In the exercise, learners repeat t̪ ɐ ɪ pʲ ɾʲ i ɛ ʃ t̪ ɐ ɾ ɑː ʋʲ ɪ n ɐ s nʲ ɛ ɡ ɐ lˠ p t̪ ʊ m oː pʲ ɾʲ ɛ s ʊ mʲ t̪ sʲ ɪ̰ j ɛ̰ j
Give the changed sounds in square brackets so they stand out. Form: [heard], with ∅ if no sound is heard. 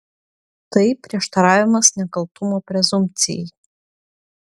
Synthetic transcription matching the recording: t̪ ɐ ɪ pʲ ɾʲ i ɛ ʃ t̪ ɐ ɾ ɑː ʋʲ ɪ [m] ɐ s nʲ ɛ [k] ɐ lˠ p t̪ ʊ m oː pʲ ɾʲ ɛ [z] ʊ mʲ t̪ sʲ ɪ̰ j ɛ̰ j